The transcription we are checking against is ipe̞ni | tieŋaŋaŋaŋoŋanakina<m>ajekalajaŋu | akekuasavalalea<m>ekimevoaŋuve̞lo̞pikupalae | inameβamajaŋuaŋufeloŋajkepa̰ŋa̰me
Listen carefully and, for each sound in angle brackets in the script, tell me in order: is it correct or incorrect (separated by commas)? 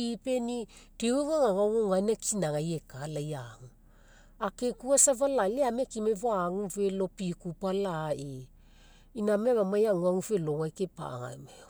incorrect, correct